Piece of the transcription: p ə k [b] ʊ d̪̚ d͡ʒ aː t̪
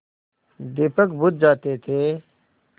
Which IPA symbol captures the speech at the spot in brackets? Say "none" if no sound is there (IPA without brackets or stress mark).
b